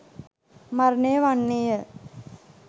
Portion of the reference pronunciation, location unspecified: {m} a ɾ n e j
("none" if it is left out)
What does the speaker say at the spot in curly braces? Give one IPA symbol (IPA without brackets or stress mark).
m